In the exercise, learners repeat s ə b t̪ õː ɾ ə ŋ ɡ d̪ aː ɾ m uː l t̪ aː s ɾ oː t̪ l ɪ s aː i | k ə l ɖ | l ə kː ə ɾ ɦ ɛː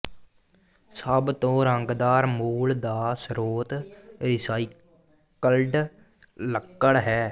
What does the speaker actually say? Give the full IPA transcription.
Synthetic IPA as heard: s ə b t̪ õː ɾ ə ŋ ɡ d̪ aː ɾ m uː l d̪ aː s ɾ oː t̪ ɾ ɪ s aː i | k ə l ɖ | l ə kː ə ɽ ɦ ɛː